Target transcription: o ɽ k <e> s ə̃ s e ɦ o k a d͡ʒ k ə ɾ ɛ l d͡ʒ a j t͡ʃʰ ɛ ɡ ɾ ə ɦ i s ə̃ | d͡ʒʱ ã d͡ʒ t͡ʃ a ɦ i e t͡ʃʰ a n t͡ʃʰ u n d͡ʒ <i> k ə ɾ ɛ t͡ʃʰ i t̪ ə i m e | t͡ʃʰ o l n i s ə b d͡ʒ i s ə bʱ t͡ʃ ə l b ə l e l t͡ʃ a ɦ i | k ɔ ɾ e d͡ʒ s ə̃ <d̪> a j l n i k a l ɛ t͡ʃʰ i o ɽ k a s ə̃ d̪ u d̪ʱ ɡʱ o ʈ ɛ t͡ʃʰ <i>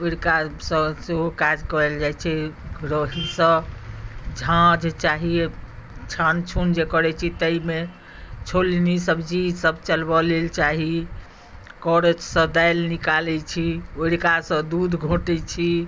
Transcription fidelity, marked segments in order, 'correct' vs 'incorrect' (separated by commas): incorrect, incorrect, correct, correct